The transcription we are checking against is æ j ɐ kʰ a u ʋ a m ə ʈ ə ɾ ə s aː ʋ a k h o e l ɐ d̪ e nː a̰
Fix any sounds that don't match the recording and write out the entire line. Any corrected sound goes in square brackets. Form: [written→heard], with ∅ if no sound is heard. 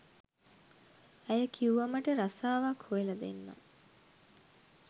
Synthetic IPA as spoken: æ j [ɐ→ə] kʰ [a→i] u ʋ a m ə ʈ ə ɾ [ə→a] s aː ʋ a k h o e l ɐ d̪ e nː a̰

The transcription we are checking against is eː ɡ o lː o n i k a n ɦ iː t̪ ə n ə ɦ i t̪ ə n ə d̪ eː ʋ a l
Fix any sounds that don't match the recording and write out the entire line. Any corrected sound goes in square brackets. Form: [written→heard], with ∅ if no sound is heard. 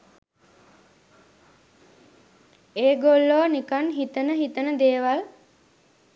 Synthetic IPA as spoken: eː ɡ o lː o n i k a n ɦ [iː→i] t̪ ə n ə ɦ i t̪ ə n ə d̪ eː ʋ a l

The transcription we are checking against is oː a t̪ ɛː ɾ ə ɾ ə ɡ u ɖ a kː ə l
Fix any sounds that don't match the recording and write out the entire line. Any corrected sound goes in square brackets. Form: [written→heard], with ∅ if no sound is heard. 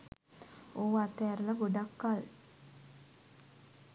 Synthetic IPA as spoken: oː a t̪ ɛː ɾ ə [ɾ→l] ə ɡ [u→o] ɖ a kː [ə→a] l

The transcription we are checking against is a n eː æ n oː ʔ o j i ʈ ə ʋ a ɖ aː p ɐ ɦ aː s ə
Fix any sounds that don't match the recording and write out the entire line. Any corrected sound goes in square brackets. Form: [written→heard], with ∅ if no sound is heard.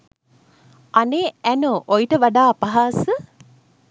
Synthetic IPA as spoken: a n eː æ n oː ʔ o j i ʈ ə ʋ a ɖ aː p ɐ ɦ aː s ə

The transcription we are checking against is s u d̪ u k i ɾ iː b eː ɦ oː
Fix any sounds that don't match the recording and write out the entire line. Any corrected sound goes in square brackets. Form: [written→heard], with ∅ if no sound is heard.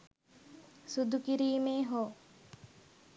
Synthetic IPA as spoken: s u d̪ u k i ɾ iː [b→m] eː ɦ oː

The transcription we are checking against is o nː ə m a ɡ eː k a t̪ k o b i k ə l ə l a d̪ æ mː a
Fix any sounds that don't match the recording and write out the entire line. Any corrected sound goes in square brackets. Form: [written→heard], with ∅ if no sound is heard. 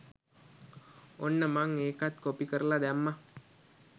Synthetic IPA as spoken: o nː ə m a [ɡ→ŋ] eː k a t̪ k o [b→p] i k ə [l→ɾ] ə l a d̪ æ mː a

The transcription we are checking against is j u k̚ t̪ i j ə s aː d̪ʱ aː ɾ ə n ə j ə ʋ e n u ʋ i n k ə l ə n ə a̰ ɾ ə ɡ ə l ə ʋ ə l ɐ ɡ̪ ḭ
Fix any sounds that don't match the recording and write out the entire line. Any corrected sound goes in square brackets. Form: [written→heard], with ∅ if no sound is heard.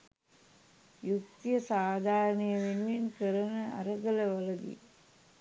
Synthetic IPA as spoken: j u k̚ t̪ i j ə s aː d̪ʱ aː ɾ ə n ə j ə ʋ e n u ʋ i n k ə [l→ɾ] ə n ə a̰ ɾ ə ɡ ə l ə ʋ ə l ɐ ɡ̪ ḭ

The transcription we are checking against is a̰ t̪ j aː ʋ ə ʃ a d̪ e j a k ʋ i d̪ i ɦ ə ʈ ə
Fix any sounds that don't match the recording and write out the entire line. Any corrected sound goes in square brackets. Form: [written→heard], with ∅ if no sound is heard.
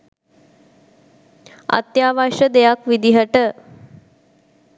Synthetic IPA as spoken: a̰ t̪ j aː ʋ [ə→a] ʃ [a→ə] d̪ e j a k ʋ i d̪ i ɦ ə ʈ ə

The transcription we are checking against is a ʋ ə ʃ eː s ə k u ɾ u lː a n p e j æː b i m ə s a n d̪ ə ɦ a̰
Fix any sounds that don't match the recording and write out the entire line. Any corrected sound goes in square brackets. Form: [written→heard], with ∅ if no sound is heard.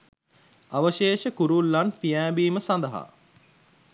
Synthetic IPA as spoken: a ʋ ə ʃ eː [s→ʃ] ə k u ɾ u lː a n p [e→i] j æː b [i→iː] m ə s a n d̪ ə ɦ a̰

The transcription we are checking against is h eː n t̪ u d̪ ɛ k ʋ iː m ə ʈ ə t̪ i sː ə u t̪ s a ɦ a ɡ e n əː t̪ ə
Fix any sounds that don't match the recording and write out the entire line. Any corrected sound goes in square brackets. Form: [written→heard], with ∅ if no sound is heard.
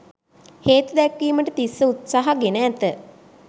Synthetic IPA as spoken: h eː [n→∅] t̪ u d̪ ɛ k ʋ iː m ə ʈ ə t̪ i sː ə u t̪ s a ɦ a ɡ e n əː t̪ ə

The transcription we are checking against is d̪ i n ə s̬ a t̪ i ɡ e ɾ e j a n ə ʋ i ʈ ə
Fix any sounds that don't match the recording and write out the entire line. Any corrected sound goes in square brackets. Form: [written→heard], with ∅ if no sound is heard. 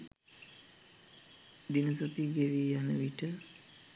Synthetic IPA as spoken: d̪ i n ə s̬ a t̪ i ɡ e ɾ [e→i] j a n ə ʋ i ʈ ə

